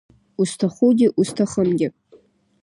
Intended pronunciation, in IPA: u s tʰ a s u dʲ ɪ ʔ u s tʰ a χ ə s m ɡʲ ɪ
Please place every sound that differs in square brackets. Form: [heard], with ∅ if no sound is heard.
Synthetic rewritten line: u s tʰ a [χ] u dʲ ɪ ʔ u s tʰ a χ ə [∅] m ɡʲ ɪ

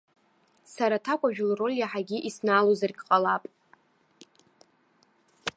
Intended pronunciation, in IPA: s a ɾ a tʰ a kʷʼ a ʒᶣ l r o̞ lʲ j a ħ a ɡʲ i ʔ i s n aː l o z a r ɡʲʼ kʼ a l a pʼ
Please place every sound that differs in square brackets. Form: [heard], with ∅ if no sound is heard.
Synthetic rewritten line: s a ɾ a tʰ a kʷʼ a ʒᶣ l r o̞ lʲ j a ħ a ɡʲ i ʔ i s n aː l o z a r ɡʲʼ [qʼ] a l a pʼ

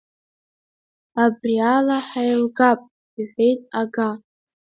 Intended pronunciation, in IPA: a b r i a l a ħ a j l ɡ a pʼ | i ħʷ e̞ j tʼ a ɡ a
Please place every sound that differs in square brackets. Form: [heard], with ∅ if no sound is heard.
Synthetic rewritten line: a b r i a l a ħ a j l ɡ a pʼ | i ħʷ e̞ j tʼ a ɡ a

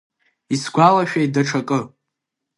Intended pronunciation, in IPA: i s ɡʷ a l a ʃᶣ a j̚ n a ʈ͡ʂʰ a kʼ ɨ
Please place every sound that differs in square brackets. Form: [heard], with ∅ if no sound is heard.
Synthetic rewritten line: i s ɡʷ a l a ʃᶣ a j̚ [d] a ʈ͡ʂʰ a kʼ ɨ

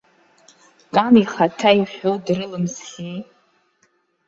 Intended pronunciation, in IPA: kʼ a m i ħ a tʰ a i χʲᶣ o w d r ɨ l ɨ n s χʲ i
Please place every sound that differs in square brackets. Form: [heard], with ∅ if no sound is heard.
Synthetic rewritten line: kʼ a [n] i [χ] a tʰ a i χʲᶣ o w d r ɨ l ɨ [m] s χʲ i

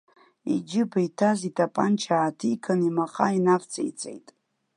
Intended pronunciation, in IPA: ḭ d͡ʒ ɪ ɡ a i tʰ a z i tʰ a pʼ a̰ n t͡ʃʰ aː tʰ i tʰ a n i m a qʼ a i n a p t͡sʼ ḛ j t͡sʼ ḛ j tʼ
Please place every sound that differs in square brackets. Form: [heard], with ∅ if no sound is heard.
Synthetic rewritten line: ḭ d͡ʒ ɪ [b] a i tʰ a z i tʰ a pʼ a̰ n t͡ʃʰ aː tʰ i [kʰ] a n i m a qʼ a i n a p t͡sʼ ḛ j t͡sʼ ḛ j tʼ

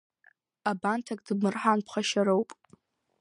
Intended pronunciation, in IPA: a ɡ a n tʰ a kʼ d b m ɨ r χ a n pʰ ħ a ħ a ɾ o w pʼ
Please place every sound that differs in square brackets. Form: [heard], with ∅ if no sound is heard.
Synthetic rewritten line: a [b] a n tʰ a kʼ d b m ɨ r [ħ] a n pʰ [χ] a [ʃ] a ɾ o w pʼ

